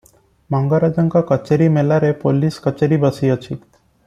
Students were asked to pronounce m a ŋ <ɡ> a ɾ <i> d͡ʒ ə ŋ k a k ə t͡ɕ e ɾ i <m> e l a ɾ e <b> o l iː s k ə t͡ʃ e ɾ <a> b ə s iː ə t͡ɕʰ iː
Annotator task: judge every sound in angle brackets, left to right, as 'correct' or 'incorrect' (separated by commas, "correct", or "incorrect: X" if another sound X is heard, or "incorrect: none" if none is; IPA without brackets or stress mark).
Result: correct, incorrect: a, correct, incorrect: p, incorrect: i